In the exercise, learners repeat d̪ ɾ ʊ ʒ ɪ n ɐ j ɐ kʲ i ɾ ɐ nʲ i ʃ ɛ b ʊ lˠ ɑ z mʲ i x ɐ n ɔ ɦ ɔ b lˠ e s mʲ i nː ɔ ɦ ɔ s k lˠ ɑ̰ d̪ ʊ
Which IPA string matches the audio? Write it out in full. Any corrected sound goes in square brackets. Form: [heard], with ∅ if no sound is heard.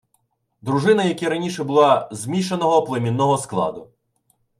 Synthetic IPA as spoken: d̪ ɾ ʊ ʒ ɪ n ɐ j ɐ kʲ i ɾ ɐ nʲ i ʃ ɛ b ʊ lˠ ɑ z mʲ i [ʃ] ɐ n ɔ ɦ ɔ [p] lˠ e [∅] mʲ i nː ɔ ɦ ɔ s k lˠ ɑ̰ d̪ ʊ